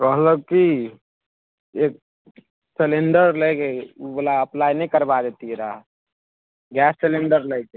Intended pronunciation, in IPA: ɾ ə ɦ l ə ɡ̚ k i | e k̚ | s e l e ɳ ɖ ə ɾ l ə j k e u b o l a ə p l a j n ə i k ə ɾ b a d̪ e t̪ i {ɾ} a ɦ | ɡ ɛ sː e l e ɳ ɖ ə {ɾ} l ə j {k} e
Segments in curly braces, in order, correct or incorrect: correct, correct, correct

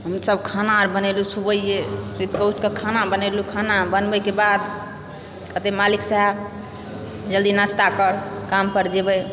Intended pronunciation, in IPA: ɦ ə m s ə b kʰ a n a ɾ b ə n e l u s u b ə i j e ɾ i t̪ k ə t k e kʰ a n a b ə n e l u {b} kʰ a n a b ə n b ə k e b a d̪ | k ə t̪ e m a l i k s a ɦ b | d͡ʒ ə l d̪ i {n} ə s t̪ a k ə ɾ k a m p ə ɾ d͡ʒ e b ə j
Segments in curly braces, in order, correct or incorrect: incorrect: none, correct

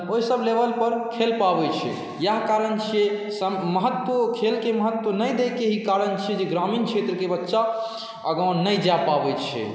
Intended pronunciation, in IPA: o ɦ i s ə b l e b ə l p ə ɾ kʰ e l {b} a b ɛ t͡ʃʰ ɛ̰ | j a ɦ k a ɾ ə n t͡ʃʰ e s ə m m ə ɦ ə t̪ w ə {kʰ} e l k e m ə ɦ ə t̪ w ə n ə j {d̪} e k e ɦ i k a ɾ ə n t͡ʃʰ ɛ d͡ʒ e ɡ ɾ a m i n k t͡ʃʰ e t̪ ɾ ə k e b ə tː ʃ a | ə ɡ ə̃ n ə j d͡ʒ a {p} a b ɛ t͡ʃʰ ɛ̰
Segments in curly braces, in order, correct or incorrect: incorrect: p, correct, correct, correct

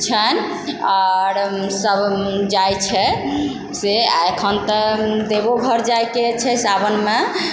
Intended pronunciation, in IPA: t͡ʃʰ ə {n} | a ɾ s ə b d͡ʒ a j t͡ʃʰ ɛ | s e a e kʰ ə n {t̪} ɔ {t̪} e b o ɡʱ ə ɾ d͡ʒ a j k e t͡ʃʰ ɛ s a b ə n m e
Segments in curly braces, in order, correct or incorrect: correct, correct, incorrect: d̪

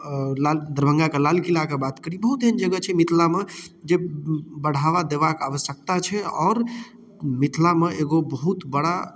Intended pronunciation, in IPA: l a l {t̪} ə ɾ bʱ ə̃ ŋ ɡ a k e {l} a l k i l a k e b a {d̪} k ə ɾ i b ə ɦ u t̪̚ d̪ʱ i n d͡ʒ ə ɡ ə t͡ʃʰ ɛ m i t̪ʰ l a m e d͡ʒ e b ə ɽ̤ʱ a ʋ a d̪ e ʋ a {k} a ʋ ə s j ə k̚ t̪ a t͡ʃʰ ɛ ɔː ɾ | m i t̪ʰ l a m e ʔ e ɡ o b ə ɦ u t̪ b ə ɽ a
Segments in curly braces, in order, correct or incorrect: incorrect: d̪, correct, incorrect: t̪, correct

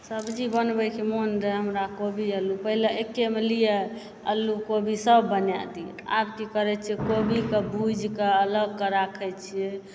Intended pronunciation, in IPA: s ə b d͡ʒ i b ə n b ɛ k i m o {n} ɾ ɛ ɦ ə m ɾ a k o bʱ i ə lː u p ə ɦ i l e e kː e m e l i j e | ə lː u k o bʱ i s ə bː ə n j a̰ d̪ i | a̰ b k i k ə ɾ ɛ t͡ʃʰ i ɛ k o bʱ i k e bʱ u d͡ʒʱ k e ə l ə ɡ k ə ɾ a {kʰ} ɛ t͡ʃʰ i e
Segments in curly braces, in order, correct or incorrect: correct, correct

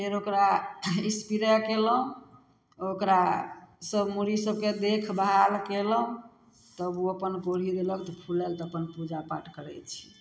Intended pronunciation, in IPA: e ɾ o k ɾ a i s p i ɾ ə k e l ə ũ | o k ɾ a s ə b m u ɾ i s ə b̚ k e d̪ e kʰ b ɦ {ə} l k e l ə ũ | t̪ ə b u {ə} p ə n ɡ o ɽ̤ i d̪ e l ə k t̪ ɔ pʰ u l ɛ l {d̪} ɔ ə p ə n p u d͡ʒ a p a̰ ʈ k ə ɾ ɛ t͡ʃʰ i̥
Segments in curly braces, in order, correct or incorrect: incorrect: a, correct, incorrect: t̪

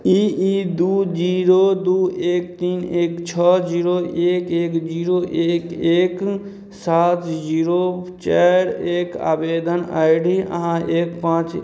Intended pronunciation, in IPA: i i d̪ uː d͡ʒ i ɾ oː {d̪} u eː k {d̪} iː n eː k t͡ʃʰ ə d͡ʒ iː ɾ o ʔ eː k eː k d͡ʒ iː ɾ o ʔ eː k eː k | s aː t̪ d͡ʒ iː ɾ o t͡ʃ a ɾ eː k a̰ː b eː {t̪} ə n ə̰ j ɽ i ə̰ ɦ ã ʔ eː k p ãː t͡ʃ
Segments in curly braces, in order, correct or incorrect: correct, incorrect: t̪, incorrect: d̪

